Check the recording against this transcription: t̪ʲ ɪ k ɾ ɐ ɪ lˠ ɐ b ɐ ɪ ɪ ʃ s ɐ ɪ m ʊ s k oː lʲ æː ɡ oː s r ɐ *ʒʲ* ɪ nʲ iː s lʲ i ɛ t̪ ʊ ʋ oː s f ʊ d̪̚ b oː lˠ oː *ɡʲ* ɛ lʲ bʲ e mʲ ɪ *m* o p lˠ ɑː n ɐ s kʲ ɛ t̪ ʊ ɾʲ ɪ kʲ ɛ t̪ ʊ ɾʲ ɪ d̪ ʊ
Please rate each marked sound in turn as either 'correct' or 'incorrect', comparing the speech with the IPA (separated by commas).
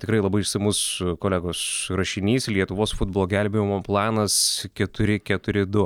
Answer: incorrect, correct, correct